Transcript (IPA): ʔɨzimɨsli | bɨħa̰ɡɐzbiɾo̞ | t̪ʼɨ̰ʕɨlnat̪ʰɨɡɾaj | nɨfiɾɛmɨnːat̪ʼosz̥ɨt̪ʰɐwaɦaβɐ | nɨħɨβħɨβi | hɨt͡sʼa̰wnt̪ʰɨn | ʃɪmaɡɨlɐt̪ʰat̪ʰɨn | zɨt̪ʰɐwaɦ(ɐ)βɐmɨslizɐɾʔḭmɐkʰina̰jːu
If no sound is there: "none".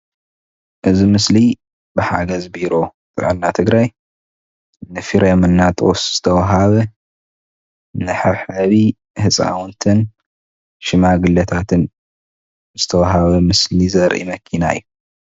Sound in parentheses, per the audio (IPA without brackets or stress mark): a